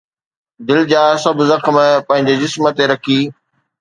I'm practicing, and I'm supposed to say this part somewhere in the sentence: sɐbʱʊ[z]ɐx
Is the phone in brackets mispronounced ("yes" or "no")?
no